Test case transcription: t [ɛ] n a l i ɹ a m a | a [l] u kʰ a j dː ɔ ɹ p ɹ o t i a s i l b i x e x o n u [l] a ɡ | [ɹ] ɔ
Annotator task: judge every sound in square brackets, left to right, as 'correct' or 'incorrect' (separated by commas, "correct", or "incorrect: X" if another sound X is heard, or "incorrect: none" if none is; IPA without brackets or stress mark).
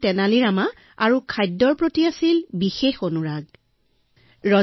correct, incorrect: ɹ, incorrect: ɹ, correct